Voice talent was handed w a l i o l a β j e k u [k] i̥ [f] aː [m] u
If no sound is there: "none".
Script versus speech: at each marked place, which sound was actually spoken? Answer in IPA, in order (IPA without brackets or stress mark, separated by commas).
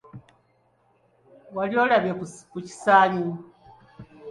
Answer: c, s, ɲ